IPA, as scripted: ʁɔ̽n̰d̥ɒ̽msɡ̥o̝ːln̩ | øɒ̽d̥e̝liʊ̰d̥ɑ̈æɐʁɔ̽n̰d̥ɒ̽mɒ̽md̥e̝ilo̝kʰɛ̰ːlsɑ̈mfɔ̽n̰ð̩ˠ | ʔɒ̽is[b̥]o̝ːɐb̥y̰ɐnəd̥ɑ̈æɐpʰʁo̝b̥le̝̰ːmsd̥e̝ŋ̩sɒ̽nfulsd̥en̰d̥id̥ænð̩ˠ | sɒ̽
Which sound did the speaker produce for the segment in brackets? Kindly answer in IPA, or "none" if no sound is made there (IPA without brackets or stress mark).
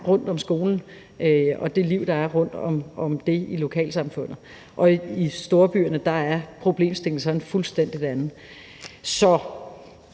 d̥